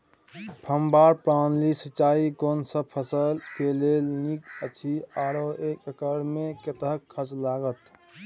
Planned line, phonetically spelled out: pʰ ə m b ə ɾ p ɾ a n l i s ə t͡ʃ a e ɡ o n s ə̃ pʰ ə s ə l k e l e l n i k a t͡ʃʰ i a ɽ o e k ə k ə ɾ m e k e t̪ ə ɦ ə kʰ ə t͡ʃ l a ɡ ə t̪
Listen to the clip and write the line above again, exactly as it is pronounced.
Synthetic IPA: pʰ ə m b a ɾ p ɾ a n l i s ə t͡ʃ a i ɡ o n s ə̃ pʰ ə s ə l k e l e l n i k ə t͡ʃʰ i a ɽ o e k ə k ə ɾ m e k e t̪ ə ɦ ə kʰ ə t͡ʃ l a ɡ ə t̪